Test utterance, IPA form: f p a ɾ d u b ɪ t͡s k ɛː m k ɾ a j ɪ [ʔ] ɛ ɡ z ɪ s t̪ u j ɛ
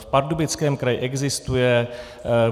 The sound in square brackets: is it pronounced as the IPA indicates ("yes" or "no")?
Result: yes